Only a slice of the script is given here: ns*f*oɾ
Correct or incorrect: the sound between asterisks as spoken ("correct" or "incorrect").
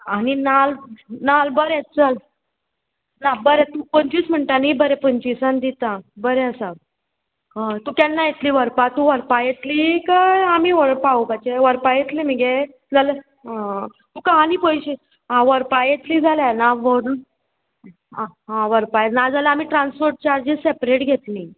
correct